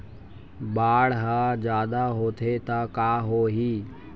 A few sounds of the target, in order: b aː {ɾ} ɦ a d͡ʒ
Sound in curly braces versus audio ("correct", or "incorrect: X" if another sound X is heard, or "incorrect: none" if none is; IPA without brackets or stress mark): incorrect: ɽ